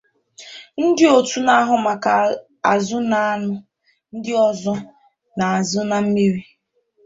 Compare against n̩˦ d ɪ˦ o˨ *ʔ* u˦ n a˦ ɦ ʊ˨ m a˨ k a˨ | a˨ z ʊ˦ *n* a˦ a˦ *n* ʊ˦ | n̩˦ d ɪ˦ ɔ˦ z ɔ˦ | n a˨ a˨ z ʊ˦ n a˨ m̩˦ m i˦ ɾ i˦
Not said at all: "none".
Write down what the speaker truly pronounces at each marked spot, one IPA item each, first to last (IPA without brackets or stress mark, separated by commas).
t, n, n